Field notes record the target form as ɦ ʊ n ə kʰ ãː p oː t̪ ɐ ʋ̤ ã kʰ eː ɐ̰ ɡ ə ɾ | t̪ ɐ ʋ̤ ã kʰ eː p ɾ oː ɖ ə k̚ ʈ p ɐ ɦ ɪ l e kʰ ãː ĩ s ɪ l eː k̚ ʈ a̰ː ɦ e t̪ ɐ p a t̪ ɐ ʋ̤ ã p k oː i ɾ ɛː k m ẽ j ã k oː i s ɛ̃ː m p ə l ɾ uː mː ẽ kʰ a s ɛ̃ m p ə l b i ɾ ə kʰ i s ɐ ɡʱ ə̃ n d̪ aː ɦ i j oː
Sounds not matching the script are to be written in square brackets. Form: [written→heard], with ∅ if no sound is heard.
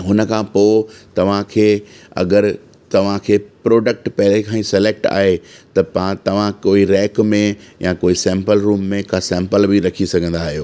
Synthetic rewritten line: ɦ ʊ n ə kʰ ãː p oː t̪ ɐ ʋ̤ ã kʰ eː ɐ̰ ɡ ə ɾ | t̪ ɐ ʋ̤ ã kʰ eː p ɾ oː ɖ ə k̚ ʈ p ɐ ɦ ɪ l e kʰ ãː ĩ s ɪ l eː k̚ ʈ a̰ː ɦ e t̪ ɐ p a t̪ ɐ ʋ̤ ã [p→∅] k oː i ɾ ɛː k m ẽ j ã k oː i s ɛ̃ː m p ə l ɾ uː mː ẽ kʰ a s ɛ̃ m p ə l b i ɾ [ə→ɐ] kʰ i s ɐ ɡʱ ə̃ n d̪ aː ɦ i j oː